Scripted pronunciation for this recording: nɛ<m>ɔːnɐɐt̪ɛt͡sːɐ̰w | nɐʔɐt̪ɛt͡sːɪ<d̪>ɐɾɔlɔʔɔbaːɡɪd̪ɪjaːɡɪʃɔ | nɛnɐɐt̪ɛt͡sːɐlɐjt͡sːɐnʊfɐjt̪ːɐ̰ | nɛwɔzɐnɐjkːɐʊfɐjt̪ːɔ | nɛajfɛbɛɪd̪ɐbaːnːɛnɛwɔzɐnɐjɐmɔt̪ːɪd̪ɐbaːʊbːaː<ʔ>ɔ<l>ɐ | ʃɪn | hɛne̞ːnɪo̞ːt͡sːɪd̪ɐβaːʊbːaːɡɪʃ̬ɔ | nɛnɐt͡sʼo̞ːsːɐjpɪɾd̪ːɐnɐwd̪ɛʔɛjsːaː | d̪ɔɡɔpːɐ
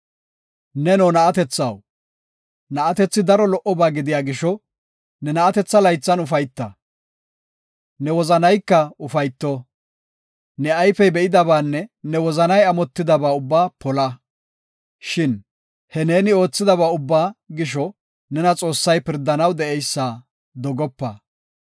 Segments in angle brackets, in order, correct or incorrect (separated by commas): incorrect, correct, incorrect, correct